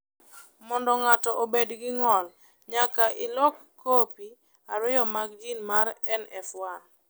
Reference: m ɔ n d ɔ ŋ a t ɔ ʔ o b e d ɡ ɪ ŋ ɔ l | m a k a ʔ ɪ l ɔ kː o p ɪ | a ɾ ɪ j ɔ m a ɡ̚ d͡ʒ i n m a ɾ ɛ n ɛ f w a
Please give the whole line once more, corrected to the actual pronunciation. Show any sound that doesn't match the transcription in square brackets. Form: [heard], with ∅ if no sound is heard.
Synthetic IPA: m ɔ n d ɔ ŋ a t ɔ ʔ o b e d ɡ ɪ ŋ ɔ l | [ɲ] a k a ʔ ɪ l ɔ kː o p [i] | a ɾ ɪ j ɔ m a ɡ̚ d͡ʒ i n m a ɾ ɛ n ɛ f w a